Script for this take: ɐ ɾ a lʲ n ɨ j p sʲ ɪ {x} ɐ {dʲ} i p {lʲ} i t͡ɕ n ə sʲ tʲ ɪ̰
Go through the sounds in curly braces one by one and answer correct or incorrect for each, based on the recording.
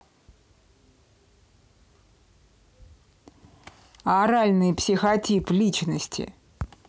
correct, incorrect: tʲ, correct

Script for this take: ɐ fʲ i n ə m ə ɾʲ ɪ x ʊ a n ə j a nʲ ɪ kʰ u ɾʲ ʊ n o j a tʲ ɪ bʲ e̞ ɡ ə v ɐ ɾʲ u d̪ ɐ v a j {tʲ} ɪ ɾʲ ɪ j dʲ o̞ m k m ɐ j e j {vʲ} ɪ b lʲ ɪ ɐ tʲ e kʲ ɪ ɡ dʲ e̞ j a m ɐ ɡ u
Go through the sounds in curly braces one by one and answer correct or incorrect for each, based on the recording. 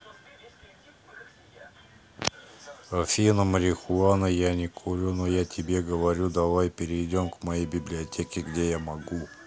incorrect: pʲ, incorrect: bʲ

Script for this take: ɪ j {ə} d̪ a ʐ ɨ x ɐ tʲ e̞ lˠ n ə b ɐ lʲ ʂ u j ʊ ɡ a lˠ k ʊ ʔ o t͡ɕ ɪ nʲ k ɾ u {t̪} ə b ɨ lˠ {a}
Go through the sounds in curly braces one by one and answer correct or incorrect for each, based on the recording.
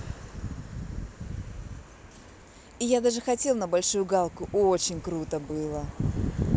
incorrect: a, correct, incorrect: ə

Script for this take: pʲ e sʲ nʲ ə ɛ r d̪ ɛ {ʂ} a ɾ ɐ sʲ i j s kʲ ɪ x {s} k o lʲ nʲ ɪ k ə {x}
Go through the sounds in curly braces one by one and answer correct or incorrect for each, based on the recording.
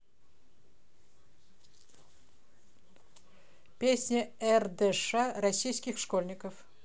correct, incorrect: ʂ, incorrect: f

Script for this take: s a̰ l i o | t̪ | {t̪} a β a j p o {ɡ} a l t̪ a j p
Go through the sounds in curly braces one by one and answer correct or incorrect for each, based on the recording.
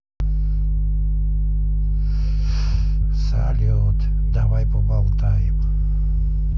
incorrect: d̪, incorrect: b

